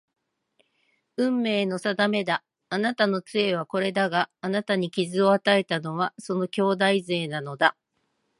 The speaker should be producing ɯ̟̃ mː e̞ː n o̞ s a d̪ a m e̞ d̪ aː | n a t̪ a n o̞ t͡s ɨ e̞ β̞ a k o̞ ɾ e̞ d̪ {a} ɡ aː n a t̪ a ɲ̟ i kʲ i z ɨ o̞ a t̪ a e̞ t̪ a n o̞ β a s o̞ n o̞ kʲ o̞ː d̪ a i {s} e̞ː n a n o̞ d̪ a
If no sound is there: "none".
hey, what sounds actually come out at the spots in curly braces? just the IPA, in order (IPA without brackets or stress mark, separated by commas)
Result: a, z